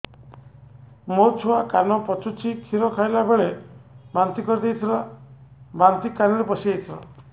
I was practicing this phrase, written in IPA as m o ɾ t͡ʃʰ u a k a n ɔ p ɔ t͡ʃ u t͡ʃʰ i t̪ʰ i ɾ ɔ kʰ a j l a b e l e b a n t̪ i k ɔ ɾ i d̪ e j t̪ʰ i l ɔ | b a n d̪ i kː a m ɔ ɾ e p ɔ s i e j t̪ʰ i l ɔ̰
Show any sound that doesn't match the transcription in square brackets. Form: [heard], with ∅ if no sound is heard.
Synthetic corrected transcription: m o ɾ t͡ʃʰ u a k a n ɔ p ɔ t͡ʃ u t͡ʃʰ i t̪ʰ i ɾ ɔ kʰ a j l a b e [ɭ] e b a n t̪ i k ɔ ɾ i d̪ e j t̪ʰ i l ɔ | b a n [t̪] i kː a [n] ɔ ɾ e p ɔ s i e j t̪ʰ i l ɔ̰